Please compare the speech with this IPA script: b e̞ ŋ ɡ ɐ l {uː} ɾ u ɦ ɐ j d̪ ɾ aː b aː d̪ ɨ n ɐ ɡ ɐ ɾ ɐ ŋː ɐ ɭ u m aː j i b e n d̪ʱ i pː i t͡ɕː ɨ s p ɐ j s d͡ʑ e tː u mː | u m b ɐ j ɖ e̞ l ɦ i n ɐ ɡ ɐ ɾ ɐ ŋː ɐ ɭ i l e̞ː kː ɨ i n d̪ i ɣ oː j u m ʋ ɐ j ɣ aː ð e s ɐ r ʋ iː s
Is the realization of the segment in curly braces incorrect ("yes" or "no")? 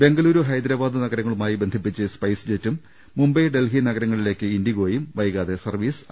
no